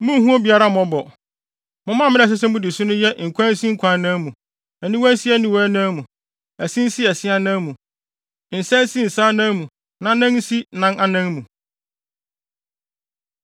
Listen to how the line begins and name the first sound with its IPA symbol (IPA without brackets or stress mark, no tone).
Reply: m